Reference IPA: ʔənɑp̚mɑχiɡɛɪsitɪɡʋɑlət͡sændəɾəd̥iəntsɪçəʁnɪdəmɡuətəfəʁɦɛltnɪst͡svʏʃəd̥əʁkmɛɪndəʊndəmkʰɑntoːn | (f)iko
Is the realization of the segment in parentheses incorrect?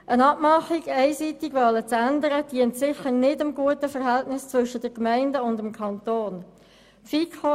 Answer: no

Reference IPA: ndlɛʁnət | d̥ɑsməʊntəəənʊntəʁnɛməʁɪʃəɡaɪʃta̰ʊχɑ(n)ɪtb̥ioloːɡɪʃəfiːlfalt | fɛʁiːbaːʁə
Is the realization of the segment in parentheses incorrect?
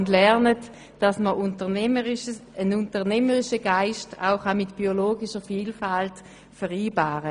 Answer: yes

